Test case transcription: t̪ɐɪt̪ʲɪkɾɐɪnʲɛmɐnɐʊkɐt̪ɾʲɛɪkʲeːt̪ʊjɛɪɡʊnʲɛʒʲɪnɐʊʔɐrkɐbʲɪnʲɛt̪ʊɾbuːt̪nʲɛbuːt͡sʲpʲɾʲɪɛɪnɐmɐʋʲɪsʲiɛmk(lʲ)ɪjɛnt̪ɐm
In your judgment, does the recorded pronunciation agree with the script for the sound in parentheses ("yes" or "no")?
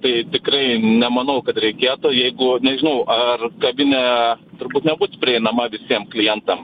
yes